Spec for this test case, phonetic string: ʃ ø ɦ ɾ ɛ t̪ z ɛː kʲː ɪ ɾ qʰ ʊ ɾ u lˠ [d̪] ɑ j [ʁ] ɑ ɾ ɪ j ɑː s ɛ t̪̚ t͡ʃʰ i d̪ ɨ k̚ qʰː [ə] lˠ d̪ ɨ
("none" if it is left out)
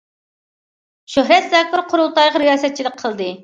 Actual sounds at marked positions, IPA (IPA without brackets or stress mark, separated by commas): t̪, ʁ, ə